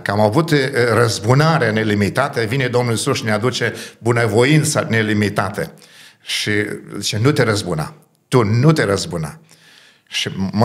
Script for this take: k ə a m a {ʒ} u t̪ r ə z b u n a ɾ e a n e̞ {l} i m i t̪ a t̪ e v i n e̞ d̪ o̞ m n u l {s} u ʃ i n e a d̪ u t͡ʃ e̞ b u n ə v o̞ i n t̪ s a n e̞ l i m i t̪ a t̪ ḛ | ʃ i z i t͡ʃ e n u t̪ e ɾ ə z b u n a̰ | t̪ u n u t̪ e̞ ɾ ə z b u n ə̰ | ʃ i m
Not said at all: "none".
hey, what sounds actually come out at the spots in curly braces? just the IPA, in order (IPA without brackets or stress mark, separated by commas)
v, l, s